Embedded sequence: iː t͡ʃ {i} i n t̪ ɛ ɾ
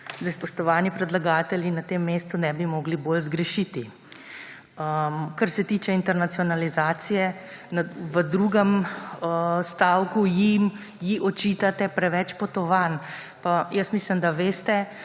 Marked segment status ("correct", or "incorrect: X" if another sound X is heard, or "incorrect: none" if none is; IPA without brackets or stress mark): incorrect: ɛ